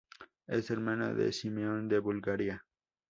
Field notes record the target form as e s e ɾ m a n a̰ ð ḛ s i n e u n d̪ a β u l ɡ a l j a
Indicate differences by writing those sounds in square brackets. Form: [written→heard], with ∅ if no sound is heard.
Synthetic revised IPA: e s e ɾ m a n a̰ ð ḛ s i [n→m] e [u→o] n d̪ [a→e] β u l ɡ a [l→ɾ] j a